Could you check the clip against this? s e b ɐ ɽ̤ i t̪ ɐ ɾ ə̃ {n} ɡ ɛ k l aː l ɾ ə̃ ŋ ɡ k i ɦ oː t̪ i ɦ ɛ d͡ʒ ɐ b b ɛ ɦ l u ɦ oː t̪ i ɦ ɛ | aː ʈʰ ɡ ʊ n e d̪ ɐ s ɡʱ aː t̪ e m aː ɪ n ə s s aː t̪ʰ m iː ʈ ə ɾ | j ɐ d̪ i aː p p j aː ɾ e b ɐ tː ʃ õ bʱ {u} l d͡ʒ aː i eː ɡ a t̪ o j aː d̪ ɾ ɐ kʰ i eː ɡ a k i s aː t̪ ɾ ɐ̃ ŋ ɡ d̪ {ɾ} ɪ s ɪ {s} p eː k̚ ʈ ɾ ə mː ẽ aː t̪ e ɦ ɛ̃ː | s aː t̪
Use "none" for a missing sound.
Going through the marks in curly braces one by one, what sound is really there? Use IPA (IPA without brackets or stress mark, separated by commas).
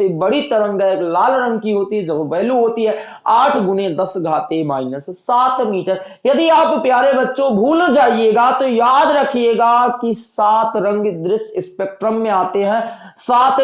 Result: ŋ, uː, ɾ, s